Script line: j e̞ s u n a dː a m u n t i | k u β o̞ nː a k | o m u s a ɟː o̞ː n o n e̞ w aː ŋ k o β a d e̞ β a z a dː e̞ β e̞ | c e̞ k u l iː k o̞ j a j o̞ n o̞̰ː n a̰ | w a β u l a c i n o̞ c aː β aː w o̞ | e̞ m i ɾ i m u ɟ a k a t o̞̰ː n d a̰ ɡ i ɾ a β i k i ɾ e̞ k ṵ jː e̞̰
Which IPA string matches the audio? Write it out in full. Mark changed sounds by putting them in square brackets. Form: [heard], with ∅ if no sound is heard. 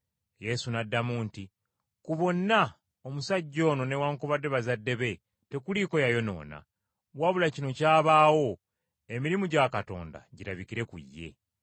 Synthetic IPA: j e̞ s u n a dː a m u n t i | k u β o̞ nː a [∅] | o m u s a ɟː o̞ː n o n e̞ w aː ŋ k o β a d e̞ β a z a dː e̞ β e̞ | [t] e̞ k u l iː k o̞ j a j o̞ n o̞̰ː n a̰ | w a β u l a c i n o̞ c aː β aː w o̞ | e̞ m i ɾ i m u ɟ a k a t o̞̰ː n d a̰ [ɟ] i ɾ a β i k i ɾ e̞ k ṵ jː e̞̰